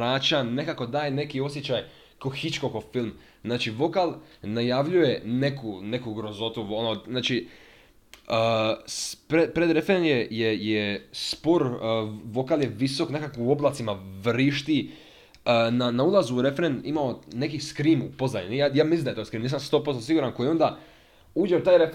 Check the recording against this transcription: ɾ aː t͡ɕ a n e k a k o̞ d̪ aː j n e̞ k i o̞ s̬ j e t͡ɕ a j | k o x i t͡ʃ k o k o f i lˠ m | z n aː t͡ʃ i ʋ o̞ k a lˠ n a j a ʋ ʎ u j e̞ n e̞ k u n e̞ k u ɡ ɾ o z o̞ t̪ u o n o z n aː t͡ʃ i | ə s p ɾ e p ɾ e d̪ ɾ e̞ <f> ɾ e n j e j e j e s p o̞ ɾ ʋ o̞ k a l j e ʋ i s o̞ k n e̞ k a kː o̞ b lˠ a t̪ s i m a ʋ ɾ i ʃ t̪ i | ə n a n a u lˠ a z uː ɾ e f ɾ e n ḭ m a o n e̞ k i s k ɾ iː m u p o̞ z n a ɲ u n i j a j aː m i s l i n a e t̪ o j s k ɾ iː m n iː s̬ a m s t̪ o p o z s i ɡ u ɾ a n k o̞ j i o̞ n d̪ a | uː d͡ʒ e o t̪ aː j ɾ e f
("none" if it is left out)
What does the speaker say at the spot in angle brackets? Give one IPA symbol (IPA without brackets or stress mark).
f